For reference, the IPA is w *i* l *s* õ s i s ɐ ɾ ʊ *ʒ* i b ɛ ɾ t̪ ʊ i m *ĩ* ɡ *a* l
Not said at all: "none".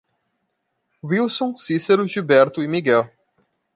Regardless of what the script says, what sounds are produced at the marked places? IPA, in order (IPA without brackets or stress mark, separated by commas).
i, s, ʒ, i, ɛ